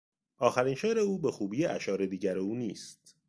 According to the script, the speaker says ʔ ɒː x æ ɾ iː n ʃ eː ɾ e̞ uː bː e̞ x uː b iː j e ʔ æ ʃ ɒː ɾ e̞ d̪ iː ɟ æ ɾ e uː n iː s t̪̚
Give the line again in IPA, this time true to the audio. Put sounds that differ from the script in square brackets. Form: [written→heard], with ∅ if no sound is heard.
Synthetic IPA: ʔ ɒː x æ ɾ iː n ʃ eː ɾ e̞ uː [bː→b] e̞ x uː b iː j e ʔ æ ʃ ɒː ɾ e̞ d̪ iː ɟ æ ɾ e uː n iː s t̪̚